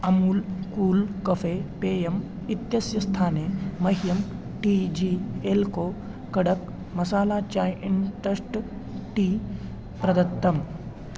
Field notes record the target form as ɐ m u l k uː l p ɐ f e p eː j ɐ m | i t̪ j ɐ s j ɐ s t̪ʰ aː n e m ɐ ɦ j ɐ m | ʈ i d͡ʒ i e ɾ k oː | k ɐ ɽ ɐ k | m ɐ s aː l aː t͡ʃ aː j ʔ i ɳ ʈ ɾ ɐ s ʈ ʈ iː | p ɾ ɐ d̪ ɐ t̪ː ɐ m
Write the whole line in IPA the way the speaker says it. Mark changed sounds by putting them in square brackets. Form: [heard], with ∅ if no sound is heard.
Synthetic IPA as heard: ɐ m u l k uː l [k] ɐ f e p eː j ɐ m | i t̪ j ɐ s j ɐ s t̪ʰ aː n e m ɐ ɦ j ɐ m | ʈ i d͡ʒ i e [l] k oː | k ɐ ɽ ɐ k | m ɐ s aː l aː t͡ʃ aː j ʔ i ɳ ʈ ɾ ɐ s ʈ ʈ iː | p ɾ ɐ d̪ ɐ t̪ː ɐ m